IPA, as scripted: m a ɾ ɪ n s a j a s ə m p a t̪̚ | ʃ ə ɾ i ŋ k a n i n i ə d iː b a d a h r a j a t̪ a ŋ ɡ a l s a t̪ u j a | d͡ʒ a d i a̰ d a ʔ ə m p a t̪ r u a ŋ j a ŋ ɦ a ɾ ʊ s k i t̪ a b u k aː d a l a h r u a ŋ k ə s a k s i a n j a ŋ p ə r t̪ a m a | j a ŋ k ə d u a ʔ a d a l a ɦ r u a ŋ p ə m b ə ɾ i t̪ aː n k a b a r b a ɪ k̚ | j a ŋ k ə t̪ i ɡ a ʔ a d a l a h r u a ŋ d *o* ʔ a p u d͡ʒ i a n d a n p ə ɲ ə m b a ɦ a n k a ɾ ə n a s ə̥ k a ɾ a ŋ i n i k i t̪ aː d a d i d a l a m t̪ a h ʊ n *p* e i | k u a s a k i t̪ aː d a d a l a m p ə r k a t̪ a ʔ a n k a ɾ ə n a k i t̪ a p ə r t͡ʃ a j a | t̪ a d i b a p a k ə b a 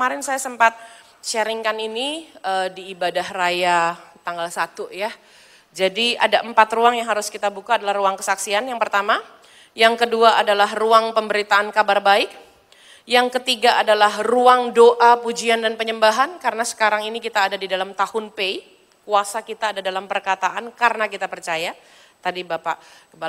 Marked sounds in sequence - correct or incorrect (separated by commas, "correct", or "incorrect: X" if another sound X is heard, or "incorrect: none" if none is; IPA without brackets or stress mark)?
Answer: correct, correct